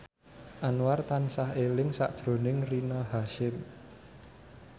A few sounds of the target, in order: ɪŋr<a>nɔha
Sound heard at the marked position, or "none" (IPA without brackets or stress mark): i